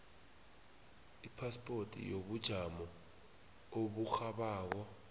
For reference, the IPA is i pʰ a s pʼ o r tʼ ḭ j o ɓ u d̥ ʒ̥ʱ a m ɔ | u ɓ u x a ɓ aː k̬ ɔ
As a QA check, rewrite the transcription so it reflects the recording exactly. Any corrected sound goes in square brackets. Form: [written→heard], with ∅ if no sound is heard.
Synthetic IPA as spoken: i pʰ a s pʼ o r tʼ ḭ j o ɓ u d̥ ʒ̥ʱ a m ɔ | [u→o] ɓ u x a ɓ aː k̬ ɔ